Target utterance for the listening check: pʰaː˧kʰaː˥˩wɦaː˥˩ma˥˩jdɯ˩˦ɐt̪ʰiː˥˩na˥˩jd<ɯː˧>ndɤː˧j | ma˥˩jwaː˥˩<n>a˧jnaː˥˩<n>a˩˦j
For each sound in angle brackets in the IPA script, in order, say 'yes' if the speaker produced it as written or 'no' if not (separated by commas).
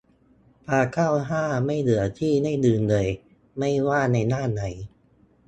yes, yes, yes